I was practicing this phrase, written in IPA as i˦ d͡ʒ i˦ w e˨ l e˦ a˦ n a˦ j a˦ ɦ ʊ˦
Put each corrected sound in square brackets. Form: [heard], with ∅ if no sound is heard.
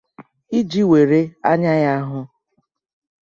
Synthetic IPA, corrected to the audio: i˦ d͡ʒ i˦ w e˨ [ɾ] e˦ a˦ [ɲ] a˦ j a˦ ɦ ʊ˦